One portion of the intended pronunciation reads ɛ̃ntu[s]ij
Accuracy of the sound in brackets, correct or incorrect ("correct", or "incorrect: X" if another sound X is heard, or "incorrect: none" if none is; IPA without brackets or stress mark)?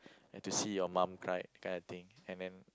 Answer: correct